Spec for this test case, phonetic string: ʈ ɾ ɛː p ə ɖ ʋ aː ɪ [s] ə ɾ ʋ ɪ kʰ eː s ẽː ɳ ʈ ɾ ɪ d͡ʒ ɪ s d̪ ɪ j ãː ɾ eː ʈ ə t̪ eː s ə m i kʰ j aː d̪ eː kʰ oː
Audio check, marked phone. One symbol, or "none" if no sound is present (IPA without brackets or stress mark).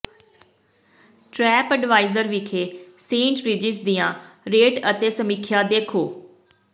z